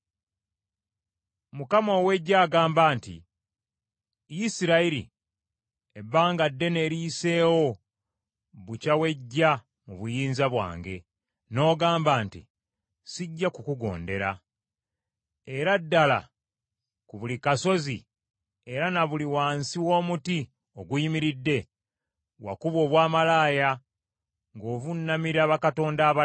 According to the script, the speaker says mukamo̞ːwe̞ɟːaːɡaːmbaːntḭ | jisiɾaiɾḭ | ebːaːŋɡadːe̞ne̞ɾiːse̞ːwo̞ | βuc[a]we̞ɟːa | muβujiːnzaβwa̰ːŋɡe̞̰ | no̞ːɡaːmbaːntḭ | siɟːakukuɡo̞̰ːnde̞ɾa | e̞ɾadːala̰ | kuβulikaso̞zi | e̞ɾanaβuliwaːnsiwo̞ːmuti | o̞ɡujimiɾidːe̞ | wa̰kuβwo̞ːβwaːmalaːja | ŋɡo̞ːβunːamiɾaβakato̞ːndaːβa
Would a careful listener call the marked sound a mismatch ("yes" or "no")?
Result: no